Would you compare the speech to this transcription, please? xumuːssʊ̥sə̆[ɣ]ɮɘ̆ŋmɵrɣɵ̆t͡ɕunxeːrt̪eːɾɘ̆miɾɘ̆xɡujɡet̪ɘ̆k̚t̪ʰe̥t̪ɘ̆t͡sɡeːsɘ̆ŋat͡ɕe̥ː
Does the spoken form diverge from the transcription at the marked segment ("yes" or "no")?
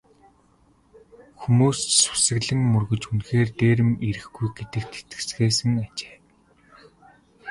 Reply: no